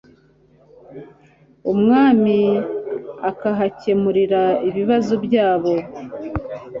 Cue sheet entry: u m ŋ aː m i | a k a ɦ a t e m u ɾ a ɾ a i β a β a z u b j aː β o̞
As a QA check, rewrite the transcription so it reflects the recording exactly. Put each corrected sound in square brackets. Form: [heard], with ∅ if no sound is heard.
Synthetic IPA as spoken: u m ŋ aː m i | a k a ɦ a [c] e m u ɾ [i] ɾ a i β [i] β a z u b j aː β o̞